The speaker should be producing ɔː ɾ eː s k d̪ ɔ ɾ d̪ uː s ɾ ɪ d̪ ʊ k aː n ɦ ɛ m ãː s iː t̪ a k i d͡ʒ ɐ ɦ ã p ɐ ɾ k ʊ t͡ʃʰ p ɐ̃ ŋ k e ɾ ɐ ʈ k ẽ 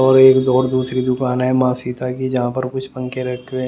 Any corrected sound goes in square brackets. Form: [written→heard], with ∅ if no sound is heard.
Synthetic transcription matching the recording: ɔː ɾ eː [s→∅] k d̪ [ɔ→ɔː] ɾ d̪ uː s ɾ [ɪ→i] d̪ ʊ k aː n ɦ ɛ m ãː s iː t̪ a k i d͡ʒ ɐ ɦ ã p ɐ ɾ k ʊ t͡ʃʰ p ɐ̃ ŋ k e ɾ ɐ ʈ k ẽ